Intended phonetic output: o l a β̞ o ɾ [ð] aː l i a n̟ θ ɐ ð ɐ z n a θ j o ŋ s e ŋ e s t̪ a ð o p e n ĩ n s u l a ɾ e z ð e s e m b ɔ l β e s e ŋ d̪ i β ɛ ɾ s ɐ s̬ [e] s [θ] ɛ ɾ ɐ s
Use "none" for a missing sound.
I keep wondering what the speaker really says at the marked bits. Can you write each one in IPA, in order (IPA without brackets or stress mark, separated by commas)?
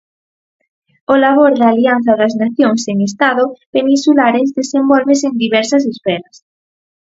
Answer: ð, e, f